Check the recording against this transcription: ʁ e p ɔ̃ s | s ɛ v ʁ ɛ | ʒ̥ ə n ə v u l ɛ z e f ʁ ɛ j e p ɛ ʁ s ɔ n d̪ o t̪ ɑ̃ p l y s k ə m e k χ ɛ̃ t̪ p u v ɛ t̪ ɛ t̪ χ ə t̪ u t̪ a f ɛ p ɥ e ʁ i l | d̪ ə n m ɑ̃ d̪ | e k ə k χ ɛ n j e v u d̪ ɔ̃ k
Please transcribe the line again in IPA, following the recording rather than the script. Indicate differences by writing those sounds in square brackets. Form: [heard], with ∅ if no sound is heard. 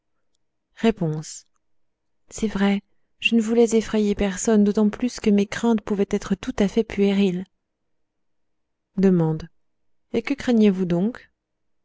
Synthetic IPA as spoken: ʁ e p ɔ̃ s | s ɛ v ʁ ɛ | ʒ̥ ə n ə v u l ɛ z e f [χ] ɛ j e p ɛ ʁ s ɔ n d̪ o t̪ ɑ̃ p l y s k ə m e k χ ɛ̃ t̪ p u v ɛ t̪ ɛ t̪ χ ə t̪ u t̪ a f ɛ p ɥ e ʁ i l | d̪ ə [∅] m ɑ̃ d̪ | e k ə k χ ɛ n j e v u d̪ ɔ̃ k